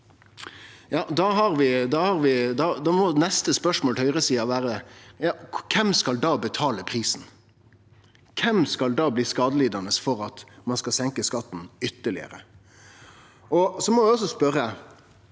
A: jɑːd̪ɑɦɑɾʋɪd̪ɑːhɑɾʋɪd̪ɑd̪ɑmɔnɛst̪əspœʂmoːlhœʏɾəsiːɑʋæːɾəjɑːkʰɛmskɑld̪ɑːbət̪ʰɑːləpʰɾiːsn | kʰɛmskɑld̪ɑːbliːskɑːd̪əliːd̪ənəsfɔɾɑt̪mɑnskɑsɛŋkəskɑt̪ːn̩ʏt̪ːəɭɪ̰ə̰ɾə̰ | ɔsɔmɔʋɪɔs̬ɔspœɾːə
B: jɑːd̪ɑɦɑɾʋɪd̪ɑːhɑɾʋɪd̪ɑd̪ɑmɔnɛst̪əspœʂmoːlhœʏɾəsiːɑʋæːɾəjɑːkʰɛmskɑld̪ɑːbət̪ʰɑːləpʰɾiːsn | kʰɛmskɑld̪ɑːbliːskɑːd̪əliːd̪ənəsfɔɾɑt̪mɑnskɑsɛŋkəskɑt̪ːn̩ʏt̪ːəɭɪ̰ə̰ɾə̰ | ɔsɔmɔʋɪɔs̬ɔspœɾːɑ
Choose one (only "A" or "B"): A